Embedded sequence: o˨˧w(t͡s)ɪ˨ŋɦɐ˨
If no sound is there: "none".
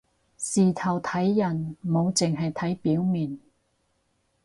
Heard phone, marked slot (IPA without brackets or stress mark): t͡s